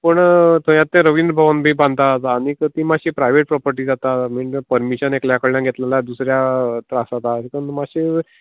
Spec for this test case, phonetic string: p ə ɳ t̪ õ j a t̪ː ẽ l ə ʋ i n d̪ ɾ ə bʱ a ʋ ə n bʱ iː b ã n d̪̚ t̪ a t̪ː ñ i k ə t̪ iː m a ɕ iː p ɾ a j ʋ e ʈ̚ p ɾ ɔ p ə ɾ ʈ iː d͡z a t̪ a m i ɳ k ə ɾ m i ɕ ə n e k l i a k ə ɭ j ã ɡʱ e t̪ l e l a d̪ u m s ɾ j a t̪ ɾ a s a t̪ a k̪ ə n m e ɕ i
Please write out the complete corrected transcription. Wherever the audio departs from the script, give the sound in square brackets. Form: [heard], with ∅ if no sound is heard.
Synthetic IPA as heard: p ə ɳ t̪ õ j a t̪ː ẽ [ɾ] ə ʋ i n d̪ ɾ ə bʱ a ʋ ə n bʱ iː b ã n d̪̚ t̪ a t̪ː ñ i k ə t̪ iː m a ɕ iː p ɾ a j ʋ e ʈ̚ p ɾ ɔ p ə ɾ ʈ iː d͡z a t̪ a m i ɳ [p] ə ɾ m i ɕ ə n e k l [j] a k ə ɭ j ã ɡʱ e t̪ l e l a d̪ u [∅] s ɾ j a t̪ ɾ a s a t̪ a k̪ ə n m [a] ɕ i